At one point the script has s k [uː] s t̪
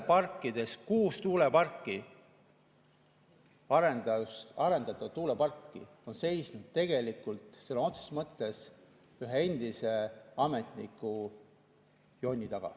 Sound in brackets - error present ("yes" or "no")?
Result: no